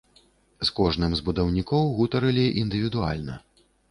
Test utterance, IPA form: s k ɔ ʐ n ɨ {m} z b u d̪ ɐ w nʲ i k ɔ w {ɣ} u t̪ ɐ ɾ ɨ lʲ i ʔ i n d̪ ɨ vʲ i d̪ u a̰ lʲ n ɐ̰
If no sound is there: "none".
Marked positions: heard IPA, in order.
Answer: m, ɣ

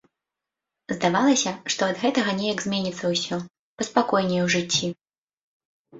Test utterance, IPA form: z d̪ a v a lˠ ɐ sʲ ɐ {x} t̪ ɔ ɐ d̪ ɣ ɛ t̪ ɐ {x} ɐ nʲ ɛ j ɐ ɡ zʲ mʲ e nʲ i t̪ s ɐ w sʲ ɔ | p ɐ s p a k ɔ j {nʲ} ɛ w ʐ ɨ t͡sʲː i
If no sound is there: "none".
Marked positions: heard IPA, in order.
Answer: ʂ, ɣ, nʲ

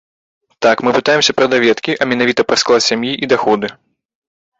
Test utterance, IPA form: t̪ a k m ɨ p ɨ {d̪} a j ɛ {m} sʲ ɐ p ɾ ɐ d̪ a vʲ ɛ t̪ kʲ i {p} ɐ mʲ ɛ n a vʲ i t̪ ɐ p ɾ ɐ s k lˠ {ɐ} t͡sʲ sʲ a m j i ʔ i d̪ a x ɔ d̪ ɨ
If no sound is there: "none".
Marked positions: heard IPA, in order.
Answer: t̪, m, ʔ, a

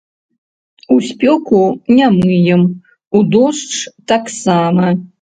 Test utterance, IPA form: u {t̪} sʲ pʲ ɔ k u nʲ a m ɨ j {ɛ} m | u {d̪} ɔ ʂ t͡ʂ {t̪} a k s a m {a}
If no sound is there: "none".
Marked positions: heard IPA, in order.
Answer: none, ɛ, d̪, t̪, ɐ

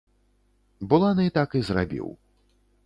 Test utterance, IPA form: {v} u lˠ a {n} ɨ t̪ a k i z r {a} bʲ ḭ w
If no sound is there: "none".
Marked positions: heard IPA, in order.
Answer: b, n, a

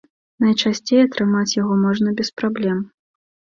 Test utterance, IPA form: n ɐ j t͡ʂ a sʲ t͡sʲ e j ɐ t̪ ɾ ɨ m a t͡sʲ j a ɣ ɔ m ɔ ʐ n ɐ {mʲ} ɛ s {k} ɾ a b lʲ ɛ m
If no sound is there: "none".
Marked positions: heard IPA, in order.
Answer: bʲ, p

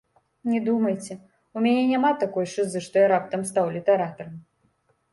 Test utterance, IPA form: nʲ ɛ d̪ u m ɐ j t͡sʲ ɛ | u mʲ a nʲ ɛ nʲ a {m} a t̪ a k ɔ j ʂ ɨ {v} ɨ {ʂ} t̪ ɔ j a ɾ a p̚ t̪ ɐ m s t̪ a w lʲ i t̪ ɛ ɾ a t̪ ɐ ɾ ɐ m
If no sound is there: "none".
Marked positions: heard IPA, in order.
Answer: m, z, ʂ

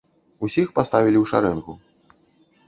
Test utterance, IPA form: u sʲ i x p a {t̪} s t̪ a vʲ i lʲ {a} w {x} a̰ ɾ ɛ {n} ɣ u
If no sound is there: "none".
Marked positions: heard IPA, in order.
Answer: none, i, ʂ, n

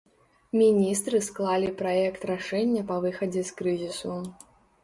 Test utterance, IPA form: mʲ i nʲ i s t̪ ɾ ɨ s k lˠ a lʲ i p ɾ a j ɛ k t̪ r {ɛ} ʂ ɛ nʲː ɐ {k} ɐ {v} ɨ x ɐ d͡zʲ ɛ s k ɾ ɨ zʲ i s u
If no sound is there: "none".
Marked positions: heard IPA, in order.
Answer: a, p, v

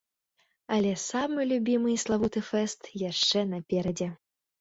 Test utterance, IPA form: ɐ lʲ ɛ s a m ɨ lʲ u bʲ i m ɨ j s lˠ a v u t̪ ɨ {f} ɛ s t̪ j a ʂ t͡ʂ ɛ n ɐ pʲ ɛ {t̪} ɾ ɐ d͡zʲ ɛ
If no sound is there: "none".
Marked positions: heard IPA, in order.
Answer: f, none

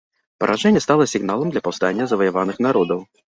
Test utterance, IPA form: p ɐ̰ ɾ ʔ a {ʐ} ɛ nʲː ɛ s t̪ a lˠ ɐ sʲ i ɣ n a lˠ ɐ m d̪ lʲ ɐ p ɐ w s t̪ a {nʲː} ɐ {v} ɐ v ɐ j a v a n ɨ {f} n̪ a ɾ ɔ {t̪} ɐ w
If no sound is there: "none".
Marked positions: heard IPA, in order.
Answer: ʐ, nʲː, z, x, d̪

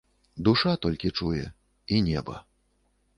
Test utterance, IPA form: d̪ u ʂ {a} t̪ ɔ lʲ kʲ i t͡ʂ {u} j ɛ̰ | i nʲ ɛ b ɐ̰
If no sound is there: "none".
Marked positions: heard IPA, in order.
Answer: a, u

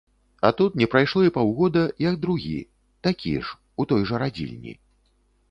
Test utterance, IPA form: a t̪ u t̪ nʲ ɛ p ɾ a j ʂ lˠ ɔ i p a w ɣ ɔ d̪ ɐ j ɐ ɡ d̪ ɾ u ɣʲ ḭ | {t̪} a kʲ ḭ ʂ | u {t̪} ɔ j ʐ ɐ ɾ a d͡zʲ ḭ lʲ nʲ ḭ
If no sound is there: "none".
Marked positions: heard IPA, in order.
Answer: t̪, t̪

